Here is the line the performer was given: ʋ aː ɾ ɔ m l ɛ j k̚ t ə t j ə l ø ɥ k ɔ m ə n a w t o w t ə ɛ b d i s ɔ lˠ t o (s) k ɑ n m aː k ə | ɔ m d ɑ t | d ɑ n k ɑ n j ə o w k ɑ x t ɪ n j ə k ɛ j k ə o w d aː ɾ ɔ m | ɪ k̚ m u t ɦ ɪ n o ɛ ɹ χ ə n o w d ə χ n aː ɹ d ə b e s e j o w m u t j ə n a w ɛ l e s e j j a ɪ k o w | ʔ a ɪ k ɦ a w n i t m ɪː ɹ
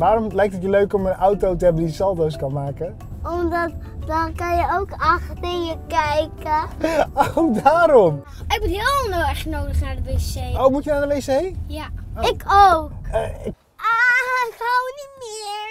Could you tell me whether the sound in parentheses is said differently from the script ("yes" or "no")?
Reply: no